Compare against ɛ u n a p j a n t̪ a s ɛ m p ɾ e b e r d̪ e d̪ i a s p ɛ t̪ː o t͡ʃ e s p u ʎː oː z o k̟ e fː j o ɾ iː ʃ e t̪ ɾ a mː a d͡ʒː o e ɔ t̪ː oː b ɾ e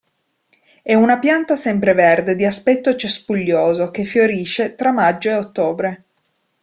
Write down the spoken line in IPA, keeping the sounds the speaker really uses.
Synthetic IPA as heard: ɛ u n a p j a n t̪ a s ɛ m p ɾ e v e r d̪ e d̪ i a s p ɛ t̪ː o t͡ʃ e s p u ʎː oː z o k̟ e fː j o ɾ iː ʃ e t̪ ɾ a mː a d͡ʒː o e o t̪ː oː b ɾ e

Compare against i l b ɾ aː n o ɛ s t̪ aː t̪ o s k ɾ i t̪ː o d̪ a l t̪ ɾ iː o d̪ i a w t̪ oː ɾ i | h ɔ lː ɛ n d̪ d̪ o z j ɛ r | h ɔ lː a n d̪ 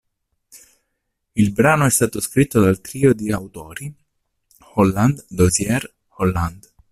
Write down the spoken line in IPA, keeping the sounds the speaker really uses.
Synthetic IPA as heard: i l b ɾ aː n o ɛ s t̪ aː t̪ o s k ɾ i t̪ː o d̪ a l t̪ ɾ iː o d̪ i a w t̪ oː ɾ i | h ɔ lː a n d̪ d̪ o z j ɛ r | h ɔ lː a n d̪

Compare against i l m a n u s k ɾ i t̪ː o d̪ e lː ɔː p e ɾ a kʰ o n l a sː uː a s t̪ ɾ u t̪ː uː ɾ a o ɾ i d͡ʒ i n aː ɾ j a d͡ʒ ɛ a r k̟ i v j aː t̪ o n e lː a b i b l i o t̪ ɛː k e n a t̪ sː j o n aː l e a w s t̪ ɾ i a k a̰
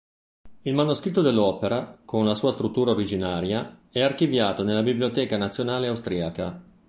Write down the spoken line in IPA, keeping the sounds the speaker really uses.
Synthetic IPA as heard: i l m a n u s k ɾ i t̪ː o d̪ e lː ɔː p e ɾ a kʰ o n l a s uː a s t̪ ɾ u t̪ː uː ɾ a o ɾ i d͡ʒ i n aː ɾ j a ɛ a r k̟ i v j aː t̪ o n e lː a b i b l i o t̪ ɛː k a n a t̪ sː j o n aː l e a w s t̪ ɾ i a k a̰

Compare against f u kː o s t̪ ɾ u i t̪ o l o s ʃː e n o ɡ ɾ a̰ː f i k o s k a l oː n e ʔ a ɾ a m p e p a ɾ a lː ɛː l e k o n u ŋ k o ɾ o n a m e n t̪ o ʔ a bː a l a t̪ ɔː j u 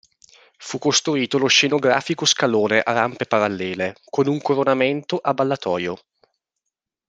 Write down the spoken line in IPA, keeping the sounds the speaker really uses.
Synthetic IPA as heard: f u kː o s t̪ ɾ u iː t̪ o l o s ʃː e n o ɡ ɾ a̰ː f i k o s k a l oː n e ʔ a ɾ a m p e p a ɾ a lː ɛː l e k o n u ŋ k o ɾ o n a m e n t̪ o ʔ a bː a lː a t̪ ɔː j o

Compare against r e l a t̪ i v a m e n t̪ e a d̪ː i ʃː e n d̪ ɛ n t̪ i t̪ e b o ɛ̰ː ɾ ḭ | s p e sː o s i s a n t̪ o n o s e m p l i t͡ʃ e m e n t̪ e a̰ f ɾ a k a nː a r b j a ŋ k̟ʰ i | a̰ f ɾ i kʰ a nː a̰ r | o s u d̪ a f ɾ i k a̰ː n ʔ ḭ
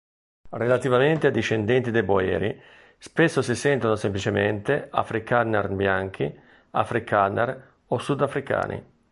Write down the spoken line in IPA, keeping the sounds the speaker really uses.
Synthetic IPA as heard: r e l a t̪ i v a m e n t̪ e a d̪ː i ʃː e n d̪ ɛ n t̪ i d̪ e b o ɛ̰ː ɾ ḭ | s p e sː o s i s ɛ n t̪ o n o s e m p l i t͡ʃ e m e n t̪ e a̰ f ɾ i k a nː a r b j a ŋ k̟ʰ i | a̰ f ɾ i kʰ a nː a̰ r | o s u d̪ a f ɾ i k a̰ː n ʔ ḭ

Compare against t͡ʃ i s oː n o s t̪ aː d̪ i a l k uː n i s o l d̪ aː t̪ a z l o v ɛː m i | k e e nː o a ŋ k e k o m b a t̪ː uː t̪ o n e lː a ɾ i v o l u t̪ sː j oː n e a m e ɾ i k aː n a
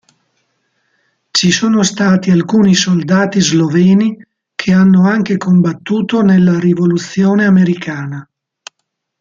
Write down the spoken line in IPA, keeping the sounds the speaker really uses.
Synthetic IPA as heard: t͡ʃ i s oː n o s t̪ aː t̪ i a l k uː n i s o l d̪ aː t̪ i z l o v ɛː n i | kʰ e a nː o a ŋ k e k o m b a t̪ː uː t̪ o n e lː a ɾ i v o l u t̪ sː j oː n e a m e ɾ i k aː n a

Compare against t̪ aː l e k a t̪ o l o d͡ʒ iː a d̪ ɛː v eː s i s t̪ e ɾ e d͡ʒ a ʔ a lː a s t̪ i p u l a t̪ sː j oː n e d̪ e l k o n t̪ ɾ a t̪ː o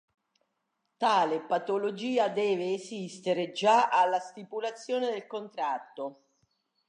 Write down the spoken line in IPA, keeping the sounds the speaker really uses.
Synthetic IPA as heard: t̪ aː l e p a t̪ o l o d͡ʒ iː a d̪ ɛː v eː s i s t̪ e ɾ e d͡ʒ a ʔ a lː a s t̪ i p u l a t̪ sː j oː n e d̪ e l k o n t̪ ɾ a t̪ː o

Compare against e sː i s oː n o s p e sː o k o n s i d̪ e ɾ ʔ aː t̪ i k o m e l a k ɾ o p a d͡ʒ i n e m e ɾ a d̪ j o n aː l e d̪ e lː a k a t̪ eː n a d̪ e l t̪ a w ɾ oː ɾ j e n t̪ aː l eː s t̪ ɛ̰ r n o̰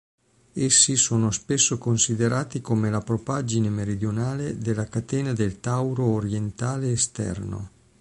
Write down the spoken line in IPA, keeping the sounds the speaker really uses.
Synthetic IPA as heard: e sː i s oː n o s p e sː o k o n s i d̪ e ɾ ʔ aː t̪ i k o m e l a p ɾ o p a d͡ʒ i n e m e ɾ i d̪ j o n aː l e d̪ e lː a k a t̪ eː n a d̪ e l t̪ a w ɾ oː ɾ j e n t̪ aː l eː s t̪ ɛ̰ r n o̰

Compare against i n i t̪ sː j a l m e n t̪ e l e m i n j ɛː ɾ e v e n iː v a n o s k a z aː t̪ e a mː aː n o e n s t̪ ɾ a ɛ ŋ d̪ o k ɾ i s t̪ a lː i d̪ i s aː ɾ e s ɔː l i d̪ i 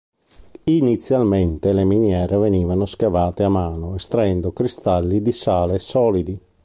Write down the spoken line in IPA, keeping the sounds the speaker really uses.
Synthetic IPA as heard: i n i t̪ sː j a l m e n t̪ e l e m i n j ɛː ɾ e v e n iː v a n o s k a v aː t̪ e a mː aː n o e s t̪ ɾ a ɛ n d̪ o k ɾ i s t̪ a lː i d̪ i s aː l e s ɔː l i d̪ i

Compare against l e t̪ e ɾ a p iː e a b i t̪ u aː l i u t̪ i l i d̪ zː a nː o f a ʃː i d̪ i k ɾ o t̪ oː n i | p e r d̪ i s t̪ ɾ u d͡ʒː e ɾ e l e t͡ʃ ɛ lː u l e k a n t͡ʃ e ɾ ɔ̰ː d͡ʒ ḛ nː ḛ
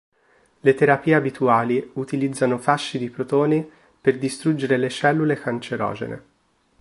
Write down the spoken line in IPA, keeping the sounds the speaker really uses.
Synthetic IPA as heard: l e t̪ e ɾ a p iː e a b i t̪ u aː l i u t̪ i l i d̪ zː a n o f a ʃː i d̪ i p ɾ o t̪ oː n i | p e r d̪ i s t̪ ɾ u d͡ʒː e ɾ e l e t͡ʃ ɛ lː u l e k a n t͡ʃ e ɾ ɔ̰ː d͡ʒ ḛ n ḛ

